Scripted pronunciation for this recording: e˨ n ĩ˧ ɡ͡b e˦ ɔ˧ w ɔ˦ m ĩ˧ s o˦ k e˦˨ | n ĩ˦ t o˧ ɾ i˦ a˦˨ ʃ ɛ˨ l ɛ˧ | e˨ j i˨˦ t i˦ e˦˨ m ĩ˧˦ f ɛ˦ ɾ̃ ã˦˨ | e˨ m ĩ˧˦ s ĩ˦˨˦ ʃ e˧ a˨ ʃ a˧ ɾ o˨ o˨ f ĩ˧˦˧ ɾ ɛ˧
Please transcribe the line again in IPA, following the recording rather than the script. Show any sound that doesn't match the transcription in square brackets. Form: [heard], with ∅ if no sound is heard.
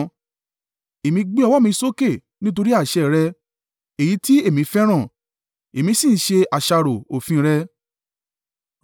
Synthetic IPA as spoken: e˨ [m] ĩ˧ ɡ͡b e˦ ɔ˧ w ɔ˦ m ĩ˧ s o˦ k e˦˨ | n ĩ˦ t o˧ ɾ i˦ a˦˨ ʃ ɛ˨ [ɾ] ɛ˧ | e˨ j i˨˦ t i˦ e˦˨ m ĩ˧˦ f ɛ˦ ɾ̃ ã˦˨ | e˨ m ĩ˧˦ s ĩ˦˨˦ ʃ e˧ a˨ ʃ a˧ ɾ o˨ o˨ f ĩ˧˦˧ ɾ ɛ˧